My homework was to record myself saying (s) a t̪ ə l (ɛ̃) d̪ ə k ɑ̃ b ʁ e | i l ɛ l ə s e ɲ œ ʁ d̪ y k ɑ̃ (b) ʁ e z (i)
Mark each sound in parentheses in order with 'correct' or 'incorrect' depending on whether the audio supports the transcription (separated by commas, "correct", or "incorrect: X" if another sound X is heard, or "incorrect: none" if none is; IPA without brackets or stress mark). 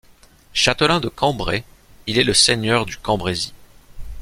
incorrect: ʃ, correct, correct, correct